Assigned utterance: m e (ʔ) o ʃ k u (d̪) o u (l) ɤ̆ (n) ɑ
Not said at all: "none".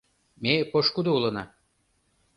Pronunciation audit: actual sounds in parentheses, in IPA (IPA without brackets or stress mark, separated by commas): p, d̪, l, n